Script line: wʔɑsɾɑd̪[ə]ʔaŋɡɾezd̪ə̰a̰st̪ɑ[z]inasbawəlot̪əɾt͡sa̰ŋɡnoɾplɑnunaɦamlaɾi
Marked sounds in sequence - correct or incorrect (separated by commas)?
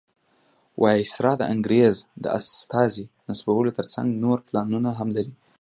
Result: correct, correct